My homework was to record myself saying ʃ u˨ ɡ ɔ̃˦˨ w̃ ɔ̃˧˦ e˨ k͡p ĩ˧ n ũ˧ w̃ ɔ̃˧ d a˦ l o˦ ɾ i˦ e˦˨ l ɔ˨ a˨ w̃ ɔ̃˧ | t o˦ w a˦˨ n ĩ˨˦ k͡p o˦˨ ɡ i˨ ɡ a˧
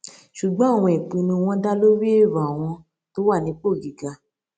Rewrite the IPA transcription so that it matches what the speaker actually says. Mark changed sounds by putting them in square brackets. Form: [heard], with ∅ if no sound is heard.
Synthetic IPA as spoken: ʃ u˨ [ɡ͡b] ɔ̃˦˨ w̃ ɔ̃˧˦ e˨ k͡p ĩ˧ n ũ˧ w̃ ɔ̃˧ d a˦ l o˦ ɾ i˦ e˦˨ [ɾ] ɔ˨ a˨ w̃ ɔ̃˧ | t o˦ w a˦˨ n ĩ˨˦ k͡p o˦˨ ɡ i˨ ɡ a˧